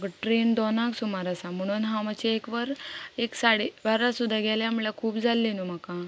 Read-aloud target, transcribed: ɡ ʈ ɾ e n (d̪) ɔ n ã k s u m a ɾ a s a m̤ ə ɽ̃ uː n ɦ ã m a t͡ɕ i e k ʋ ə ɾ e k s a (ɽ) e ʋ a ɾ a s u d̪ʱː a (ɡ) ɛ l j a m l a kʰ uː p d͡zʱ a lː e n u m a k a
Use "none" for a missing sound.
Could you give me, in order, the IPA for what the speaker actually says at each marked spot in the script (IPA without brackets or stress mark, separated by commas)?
d̪, ɽ, ɡ